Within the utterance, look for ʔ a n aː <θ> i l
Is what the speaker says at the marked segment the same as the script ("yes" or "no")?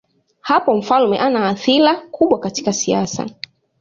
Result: yes